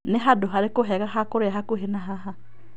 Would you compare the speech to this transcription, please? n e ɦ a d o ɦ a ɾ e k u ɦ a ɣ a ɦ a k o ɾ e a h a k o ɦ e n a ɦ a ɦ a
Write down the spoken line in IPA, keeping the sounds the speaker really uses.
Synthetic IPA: n e ɦ a d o ɦ a ɾ e k o ɦ ɛ ɣ a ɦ a k o ɾ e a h a k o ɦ e n a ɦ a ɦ a